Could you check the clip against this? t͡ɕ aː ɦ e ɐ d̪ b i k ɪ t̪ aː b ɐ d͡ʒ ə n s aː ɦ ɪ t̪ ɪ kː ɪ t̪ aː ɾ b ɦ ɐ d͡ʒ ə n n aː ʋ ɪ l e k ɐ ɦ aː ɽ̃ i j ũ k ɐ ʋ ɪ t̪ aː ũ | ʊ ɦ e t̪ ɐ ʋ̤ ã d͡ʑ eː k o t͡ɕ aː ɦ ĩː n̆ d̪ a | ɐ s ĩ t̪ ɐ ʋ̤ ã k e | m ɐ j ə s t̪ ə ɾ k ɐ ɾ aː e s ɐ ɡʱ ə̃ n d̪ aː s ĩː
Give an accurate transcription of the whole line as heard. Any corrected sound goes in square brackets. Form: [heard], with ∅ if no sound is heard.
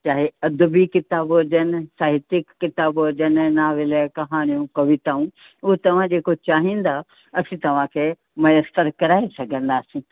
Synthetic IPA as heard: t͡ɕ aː ɦ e ɐ d̪ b i k ɪ t̪ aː b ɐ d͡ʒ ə n s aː ɦ ɪ t̪ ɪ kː ɪ t̪ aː [∅] b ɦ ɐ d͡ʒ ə n n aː ʋ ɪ l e k ɐ ɦ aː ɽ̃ i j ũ k ɐ ʋ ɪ t̪ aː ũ | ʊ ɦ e t̪ ɐ ʋ̤ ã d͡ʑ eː k o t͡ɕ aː ɦ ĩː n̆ d̪ a | ɐ s ĩ t̪ ɐ ʋ̤ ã [kʰ] e | m ɐ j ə s t̪ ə ɾ k ɐ ɾ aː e s ɐ ɡʱ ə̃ n d̪ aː s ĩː